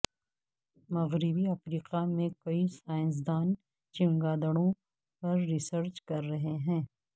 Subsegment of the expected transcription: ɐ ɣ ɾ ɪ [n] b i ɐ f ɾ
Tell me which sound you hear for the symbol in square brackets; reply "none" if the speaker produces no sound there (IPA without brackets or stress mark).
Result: none